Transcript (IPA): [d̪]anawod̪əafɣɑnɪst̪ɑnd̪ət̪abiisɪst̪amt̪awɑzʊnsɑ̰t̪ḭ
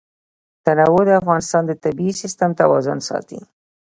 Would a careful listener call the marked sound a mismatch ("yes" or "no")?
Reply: yes